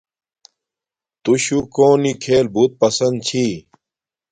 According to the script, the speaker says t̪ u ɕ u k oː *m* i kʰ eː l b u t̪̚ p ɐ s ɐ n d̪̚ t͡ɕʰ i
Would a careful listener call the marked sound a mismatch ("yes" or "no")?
yes